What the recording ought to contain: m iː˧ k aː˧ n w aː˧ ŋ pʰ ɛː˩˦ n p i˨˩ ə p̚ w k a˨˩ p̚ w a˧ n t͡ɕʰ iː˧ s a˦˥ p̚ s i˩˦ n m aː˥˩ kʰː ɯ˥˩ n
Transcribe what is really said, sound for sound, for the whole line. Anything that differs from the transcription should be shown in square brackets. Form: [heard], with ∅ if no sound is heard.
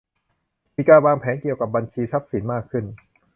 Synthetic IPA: m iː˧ k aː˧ n w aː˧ ŋ pʰ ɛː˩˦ n [k] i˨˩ ə [∅] w k a˨˩ p̚ [b] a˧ n t͡ɕʰ iː˧ s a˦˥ p̚ s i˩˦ n m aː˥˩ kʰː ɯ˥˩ n